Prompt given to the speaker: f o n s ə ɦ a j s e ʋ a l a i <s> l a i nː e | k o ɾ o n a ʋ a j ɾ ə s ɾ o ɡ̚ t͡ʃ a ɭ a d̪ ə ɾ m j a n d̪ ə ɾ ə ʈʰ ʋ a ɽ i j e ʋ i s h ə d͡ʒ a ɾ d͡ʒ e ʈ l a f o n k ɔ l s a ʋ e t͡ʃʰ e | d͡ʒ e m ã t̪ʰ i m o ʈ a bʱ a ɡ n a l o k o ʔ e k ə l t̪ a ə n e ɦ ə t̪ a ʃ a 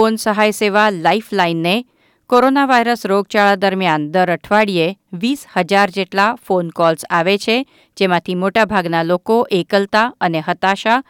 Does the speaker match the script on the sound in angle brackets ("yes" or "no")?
no